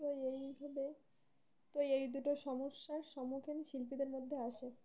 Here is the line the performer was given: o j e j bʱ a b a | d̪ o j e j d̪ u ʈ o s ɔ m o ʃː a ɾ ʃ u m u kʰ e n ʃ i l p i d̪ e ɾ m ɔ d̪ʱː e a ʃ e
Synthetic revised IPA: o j e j bʱ a b e | t̪ o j e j d̪ u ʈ o ʃ ɔ m o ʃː a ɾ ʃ ɔ m u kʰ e n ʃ i l p i d̪ e ɾ m o d̪ʱː e a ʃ e